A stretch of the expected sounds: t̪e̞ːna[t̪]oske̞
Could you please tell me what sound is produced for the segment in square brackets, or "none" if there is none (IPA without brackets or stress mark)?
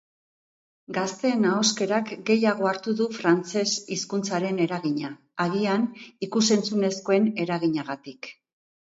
none